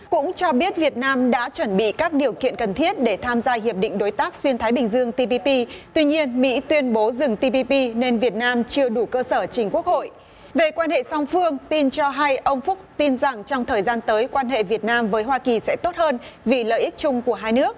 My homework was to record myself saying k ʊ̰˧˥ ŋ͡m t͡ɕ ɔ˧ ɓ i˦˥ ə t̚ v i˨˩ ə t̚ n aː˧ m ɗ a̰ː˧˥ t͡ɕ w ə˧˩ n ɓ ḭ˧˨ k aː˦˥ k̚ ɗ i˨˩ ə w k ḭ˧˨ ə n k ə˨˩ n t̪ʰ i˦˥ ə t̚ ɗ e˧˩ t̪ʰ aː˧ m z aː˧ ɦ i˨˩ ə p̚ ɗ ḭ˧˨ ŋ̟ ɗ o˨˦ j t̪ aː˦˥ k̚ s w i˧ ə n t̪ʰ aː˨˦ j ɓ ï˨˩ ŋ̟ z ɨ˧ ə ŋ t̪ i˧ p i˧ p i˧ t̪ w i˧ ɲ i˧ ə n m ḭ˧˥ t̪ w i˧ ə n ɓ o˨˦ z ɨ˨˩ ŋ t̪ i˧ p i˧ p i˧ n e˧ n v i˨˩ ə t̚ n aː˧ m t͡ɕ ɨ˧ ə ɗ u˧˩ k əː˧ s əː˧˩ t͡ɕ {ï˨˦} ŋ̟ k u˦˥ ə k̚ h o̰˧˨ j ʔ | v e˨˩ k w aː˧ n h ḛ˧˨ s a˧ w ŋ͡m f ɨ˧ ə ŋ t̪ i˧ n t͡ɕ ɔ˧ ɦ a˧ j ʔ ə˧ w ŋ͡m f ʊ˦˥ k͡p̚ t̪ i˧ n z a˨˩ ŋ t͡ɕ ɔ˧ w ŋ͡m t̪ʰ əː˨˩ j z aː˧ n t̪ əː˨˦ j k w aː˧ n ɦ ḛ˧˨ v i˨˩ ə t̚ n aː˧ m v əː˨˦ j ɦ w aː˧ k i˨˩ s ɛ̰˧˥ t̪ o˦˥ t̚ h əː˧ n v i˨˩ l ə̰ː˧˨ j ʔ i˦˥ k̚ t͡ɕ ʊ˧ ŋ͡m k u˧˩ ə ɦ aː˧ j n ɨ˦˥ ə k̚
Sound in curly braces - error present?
yes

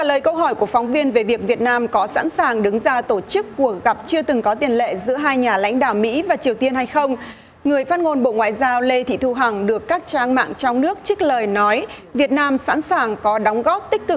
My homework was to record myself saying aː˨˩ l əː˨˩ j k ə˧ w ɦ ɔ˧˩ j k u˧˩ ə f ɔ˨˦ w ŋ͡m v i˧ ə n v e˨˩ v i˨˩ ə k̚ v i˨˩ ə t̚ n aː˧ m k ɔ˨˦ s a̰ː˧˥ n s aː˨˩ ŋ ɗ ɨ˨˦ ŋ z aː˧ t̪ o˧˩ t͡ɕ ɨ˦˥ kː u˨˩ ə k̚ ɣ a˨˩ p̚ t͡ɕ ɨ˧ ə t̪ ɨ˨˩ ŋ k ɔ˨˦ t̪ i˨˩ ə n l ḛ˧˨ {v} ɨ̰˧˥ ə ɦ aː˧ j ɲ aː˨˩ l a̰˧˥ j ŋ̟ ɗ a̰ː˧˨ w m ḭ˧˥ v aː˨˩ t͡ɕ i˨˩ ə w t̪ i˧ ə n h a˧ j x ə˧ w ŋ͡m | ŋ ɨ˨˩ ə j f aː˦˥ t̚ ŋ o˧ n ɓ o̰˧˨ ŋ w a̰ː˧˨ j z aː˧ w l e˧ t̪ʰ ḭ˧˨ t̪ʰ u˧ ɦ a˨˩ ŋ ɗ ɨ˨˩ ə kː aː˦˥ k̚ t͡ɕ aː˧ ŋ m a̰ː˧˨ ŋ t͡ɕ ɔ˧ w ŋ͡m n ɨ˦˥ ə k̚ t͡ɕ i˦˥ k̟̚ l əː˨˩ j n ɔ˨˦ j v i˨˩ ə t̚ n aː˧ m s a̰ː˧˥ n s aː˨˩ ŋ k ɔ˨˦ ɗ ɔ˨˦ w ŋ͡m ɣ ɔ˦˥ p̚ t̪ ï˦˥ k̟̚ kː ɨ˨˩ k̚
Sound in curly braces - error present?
yes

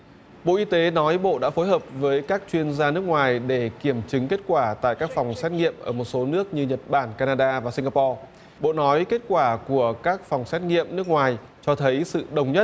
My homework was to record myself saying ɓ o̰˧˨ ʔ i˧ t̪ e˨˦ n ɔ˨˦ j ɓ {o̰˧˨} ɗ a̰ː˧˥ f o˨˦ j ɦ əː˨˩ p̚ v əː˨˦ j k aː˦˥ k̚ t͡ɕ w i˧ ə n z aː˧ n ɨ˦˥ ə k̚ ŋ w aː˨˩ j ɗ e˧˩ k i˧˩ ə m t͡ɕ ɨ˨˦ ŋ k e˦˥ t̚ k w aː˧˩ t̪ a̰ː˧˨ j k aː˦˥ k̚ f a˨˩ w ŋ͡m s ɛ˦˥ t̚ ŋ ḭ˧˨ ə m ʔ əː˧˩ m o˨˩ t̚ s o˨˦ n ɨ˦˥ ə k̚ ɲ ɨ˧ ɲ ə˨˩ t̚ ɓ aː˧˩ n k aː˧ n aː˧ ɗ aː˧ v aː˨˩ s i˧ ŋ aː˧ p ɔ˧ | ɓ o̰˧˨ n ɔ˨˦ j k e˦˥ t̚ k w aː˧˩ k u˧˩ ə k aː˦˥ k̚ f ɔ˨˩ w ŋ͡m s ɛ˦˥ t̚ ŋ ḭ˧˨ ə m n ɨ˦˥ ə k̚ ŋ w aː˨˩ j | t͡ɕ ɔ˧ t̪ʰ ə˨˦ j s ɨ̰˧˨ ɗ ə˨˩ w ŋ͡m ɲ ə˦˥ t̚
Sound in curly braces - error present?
no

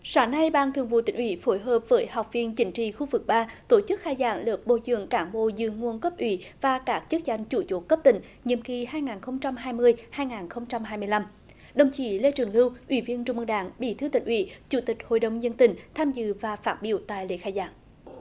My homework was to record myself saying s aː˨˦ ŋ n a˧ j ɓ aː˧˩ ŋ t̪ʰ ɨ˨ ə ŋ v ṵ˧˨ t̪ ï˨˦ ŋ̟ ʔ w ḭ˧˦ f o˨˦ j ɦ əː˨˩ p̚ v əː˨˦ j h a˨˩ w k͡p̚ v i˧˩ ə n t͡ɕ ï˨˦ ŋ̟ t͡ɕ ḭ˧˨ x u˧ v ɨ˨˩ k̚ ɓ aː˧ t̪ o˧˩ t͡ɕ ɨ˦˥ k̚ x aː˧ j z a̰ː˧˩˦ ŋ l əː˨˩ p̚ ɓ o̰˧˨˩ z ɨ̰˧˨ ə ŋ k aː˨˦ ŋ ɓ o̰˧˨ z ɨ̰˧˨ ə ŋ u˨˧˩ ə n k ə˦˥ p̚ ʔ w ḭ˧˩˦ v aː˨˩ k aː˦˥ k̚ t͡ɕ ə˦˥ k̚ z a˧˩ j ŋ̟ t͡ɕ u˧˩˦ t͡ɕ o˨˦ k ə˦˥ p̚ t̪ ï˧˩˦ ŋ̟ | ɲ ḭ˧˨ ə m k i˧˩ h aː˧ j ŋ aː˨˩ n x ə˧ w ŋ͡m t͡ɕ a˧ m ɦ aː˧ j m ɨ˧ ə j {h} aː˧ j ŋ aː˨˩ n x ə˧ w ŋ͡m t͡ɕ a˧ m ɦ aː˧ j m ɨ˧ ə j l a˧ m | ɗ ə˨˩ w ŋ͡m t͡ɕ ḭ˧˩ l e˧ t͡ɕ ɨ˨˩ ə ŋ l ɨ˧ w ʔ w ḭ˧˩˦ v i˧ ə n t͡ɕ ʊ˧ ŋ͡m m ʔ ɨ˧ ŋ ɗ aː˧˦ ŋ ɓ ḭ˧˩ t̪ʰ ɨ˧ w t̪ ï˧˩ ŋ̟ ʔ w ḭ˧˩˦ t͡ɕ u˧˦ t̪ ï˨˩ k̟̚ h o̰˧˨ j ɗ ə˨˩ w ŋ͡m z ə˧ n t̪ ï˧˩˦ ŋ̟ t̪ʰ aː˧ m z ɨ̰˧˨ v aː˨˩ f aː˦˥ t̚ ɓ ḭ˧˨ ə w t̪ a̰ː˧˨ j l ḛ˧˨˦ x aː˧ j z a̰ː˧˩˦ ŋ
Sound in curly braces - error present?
no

